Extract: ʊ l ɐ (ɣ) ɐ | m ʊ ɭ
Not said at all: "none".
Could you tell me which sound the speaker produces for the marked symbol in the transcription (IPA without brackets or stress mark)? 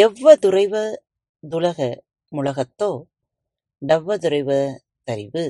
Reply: ɣ